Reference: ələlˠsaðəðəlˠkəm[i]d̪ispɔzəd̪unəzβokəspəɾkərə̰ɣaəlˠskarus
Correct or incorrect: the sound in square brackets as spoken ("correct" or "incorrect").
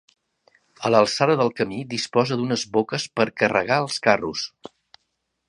correct